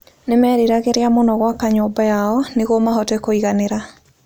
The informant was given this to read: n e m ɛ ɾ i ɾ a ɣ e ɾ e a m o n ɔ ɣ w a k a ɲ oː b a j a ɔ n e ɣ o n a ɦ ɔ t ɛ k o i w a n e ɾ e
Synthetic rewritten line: n e m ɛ ɾ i ɾ a ɣ e ɾ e a m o n ɔ ɣ w a k a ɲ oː b a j a ɔ n e ɣ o m a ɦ ɔ t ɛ k o i ɣ a n e ɾ a